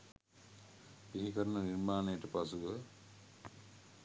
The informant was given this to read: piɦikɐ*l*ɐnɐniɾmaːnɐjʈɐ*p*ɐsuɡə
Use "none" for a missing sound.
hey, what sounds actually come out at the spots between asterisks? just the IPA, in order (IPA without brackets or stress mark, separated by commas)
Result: ɾ, p